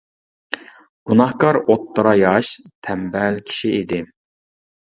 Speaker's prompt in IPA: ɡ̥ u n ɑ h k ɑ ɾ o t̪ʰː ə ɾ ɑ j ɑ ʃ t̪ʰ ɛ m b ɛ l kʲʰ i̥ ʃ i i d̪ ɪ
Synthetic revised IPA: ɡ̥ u n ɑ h k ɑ ɾ o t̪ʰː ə ɾ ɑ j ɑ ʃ t̪ʰ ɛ m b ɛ l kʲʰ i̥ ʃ i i d̪ ɪ